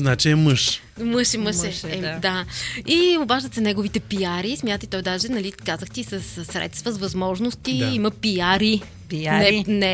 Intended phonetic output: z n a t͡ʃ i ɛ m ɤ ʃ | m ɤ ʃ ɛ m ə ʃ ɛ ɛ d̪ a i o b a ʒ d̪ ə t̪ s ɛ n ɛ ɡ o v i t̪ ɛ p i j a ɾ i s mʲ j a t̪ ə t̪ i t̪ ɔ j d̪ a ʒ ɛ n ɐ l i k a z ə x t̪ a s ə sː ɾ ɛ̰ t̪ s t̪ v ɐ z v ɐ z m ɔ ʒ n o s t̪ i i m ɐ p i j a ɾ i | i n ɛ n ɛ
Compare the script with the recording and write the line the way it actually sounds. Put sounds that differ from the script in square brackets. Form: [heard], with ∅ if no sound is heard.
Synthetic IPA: z n a t͡ʃ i ɛ m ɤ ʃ | m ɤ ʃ ɛ m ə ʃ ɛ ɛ d̪ a i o b a ʒ d̪ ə t̪ s ɛ n ɛ ɡ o v i t̪ ɛ p i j a ɾ i s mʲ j a t̪ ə t̪ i t̪ ɔ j d̪ a ʒ ɛ n ɐ l i k a z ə x t̪ [i] s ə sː ɾ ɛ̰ t̪ s t̪ v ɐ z v ɐ z m ɔ ʒ n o s t̪ i i m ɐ p i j a ɾ i | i n ɛ n ɛ